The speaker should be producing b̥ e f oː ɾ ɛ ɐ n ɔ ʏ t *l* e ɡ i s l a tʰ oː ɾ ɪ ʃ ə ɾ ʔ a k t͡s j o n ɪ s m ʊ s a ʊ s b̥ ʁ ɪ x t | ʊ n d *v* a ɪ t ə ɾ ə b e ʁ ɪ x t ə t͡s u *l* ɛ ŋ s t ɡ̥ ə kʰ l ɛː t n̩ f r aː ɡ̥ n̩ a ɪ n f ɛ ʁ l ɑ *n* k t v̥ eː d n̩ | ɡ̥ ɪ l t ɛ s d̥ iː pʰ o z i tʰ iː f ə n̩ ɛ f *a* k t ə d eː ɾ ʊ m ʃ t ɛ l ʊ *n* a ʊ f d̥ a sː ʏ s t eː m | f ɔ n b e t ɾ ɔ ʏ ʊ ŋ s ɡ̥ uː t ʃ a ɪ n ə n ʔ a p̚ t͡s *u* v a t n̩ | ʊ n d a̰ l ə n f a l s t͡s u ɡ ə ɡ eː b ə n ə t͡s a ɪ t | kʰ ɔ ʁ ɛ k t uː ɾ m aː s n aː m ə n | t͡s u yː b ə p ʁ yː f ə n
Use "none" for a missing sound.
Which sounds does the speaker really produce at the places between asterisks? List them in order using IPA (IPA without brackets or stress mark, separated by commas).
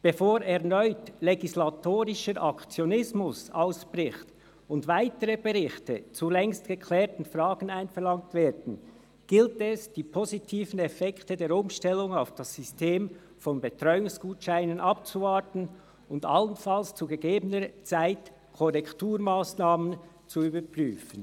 l, v, l, ŋ, ɛ, ŋ, u